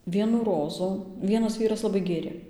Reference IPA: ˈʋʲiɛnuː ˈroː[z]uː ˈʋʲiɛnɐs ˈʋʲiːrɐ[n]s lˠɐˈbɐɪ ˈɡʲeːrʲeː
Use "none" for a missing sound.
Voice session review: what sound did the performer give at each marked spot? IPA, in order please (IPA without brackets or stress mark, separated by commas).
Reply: z, none